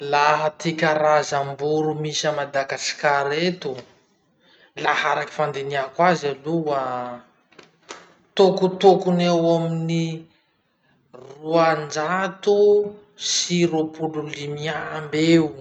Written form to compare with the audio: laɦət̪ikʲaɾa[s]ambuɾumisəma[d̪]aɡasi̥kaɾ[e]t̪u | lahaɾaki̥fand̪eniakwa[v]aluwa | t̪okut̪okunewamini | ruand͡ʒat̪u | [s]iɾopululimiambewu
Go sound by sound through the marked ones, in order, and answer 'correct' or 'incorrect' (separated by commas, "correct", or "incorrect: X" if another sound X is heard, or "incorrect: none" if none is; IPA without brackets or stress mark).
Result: incorrect: z, correct, correct, incorrect: z, correct